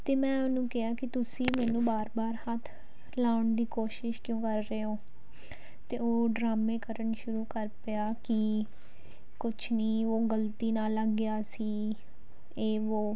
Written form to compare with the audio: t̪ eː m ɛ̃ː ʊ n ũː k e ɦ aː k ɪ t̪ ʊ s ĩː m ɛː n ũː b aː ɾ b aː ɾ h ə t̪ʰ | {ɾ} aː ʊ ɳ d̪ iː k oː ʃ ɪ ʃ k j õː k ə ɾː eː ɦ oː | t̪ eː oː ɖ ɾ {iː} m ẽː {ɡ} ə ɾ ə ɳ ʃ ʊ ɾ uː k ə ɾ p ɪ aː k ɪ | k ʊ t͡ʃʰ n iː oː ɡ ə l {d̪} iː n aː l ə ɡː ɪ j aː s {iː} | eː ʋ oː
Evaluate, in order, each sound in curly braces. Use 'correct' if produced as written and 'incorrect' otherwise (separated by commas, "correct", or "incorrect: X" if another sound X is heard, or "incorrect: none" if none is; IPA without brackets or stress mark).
incorrect: l, incorrect: aː, incorrect: k, incorrect: t̪, correct